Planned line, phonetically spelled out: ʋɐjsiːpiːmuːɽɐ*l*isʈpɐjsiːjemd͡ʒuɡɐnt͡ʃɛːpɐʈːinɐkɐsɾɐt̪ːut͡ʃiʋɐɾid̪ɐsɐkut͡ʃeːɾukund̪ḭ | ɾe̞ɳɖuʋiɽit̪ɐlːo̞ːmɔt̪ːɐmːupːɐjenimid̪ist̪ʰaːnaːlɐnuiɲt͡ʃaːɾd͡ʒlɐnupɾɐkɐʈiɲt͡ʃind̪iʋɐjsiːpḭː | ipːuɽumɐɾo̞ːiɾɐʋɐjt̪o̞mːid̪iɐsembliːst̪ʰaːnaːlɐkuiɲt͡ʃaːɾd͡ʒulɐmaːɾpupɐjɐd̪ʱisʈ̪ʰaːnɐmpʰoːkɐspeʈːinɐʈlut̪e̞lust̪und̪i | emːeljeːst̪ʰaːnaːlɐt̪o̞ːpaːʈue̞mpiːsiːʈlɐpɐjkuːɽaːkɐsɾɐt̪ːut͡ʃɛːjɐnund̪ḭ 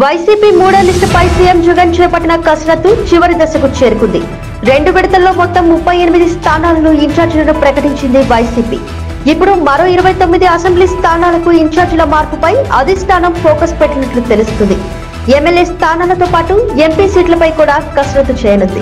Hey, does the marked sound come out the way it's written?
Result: yes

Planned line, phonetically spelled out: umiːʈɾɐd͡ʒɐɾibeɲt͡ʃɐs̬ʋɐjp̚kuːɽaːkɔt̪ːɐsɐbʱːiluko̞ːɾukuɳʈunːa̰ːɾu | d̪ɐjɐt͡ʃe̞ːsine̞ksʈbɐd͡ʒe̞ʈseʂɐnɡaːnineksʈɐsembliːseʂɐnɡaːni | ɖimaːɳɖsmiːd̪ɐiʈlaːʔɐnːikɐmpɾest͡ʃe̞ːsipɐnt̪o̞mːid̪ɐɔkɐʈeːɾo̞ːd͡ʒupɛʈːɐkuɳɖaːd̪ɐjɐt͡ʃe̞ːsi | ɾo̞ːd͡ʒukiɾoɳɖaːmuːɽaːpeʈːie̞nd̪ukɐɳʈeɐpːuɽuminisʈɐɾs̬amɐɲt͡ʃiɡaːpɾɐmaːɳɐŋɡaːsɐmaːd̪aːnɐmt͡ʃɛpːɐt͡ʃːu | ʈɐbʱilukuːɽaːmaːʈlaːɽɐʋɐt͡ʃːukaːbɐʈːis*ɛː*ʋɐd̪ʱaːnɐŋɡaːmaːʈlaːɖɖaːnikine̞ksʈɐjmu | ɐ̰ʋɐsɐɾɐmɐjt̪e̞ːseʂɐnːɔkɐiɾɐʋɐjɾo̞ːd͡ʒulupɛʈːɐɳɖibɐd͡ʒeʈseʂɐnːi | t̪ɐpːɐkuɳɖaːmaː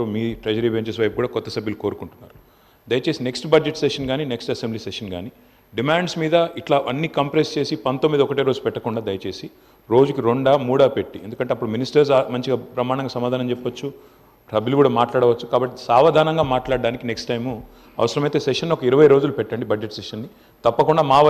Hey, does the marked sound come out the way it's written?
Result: no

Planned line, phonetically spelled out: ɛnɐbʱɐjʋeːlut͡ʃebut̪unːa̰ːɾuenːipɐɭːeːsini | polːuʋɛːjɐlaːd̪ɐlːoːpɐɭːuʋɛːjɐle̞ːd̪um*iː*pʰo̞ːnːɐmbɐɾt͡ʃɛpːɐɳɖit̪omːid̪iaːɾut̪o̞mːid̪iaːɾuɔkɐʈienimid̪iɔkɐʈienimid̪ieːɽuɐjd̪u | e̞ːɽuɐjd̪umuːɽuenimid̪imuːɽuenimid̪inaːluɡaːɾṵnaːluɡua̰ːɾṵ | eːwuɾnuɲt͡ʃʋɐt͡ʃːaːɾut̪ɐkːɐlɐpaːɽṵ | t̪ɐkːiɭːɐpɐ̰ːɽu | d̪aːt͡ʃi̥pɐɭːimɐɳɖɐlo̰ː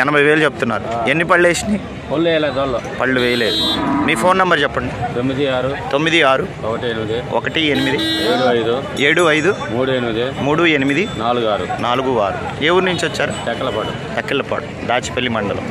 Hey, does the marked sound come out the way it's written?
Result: yes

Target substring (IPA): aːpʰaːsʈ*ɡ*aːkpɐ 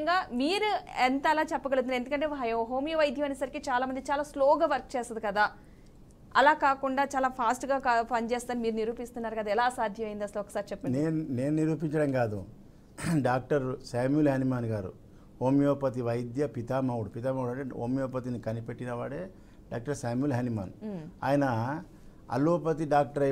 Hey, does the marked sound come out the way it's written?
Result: yes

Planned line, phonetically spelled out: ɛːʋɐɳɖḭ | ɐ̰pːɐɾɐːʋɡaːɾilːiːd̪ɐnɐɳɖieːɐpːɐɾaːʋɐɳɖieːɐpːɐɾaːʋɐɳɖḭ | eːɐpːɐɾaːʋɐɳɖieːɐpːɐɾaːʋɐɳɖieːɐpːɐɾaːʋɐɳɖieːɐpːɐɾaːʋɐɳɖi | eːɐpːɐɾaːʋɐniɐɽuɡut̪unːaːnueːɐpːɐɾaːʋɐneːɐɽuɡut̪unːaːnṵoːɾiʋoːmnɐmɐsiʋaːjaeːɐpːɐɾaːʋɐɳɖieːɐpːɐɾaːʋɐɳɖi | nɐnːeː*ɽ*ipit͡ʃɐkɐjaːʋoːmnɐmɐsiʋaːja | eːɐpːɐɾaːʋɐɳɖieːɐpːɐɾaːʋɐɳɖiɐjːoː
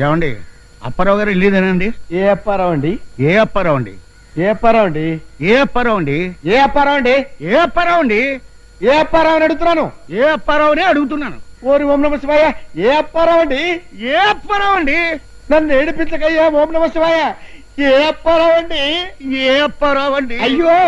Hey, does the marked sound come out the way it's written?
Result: yes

